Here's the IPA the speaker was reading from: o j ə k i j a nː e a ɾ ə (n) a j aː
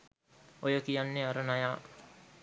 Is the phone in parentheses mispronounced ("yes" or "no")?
no